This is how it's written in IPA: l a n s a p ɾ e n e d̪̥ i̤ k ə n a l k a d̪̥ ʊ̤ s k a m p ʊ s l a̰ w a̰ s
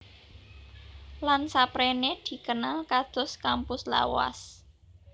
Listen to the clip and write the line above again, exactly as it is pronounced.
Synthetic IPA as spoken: l a n s a p ɾ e n e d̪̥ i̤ k ə n a l k a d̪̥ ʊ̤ s k a m p ʊ s l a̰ w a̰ s